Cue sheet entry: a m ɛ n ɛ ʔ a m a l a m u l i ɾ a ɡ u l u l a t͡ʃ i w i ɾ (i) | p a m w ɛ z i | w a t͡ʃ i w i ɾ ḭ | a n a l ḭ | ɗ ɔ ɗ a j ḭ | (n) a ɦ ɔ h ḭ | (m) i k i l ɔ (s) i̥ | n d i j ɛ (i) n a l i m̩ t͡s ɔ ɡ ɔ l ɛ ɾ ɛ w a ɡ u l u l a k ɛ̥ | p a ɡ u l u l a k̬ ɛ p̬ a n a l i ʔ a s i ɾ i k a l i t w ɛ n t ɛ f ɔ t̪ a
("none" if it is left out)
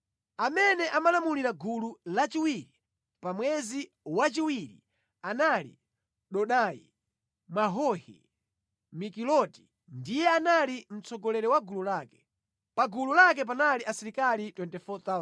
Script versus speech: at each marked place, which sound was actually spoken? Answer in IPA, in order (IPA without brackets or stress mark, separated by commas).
i, m, m, t, a